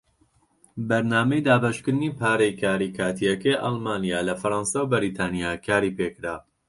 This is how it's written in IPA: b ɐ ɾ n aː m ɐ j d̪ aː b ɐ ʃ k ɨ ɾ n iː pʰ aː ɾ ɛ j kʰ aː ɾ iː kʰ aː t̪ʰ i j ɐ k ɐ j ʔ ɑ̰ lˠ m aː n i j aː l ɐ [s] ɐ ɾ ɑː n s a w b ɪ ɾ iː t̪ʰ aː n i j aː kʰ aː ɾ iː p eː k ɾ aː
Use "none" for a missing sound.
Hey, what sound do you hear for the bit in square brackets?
f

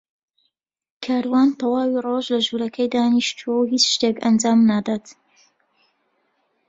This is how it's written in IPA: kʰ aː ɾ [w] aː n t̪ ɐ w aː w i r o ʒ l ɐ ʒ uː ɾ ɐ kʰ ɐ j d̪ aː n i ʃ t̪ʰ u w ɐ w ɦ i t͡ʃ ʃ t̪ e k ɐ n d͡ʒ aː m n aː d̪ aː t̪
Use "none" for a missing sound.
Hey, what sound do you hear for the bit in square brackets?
w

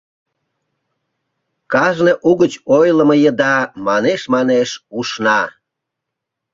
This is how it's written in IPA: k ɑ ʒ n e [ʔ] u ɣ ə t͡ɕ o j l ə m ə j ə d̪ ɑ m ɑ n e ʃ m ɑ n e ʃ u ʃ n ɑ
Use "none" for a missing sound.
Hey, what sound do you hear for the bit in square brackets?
ʔ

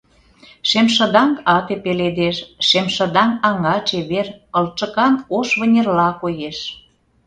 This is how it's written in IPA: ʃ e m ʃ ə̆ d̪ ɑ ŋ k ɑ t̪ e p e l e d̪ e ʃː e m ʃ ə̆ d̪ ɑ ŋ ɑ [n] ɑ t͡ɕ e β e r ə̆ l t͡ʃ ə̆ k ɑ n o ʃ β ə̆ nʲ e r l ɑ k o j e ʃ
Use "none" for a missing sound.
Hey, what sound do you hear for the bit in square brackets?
ŋ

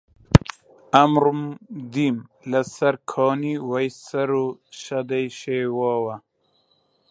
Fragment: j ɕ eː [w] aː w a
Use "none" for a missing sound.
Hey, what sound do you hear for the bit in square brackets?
w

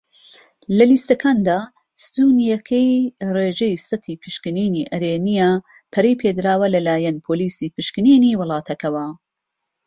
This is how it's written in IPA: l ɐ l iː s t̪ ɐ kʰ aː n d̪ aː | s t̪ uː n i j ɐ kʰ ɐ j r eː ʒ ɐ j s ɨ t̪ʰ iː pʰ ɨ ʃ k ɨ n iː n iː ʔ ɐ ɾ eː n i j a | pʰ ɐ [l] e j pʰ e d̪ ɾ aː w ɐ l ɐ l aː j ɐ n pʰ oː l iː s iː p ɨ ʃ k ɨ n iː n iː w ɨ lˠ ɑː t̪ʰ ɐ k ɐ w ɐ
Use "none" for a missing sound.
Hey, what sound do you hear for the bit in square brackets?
ɾ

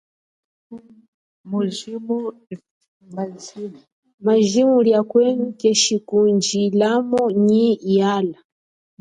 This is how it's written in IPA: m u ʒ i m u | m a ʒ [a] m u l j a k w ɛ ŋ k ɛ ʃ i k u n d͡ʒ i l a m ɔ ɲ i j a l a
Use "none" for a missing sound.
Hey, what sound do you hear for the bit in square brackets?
i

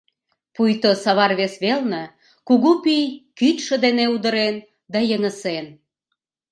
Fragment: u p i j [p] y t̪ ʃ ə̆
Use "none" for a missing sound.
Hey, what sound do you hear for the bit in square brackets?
k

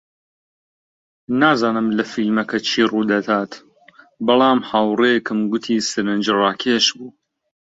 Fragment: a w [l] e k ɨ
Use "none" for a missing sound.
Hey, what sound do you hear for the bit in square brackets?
r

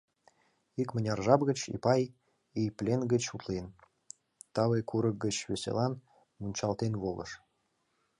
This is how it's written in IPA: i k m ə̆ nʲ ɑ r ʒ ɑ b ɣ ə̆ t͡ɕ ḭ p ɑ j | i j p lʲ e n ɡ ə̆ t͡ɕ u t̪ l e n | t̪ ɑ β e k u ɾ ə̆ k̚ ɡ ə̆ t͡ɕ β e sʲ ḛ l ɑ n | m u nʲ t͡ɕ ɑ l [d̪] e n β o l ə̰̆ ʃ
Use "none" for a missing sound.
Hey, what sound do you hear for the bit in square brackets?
t̪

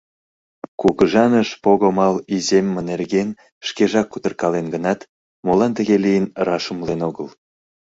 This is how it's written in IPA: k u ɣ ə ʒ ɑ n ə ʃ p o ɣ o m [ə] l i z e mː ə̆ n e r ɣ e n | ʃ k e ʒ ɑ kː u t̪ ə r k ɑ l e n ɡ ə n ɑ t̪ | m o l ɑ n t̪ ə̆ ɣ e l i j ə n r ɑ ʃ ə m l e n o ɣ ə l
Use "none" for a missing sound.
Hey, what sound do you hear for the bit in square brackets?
ɑ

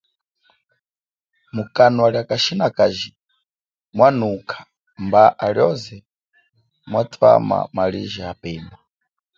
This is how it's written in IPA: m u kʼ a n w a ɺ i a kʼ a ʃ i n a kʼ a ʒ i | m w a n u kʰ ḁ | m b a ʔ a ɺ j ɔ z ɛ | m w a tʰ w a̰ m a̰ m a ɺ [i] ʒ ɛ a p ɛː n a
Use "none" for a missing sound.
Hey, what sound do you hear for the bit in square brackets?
i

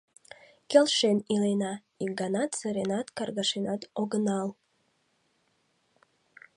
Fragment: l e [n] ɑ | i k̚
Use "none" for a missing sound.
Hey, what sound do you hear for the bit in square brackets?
n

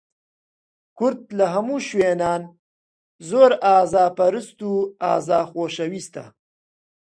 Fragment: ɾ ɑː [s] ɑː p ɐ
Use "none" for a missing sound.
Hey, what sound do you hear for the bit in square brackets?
z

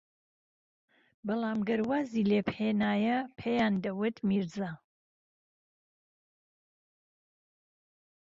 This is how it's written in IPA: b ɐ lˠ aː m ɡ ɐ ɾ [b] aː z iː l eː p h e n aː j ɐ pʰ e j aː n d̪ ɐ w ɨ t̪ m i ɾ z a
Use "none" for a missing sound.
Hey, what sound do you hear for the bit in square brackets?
w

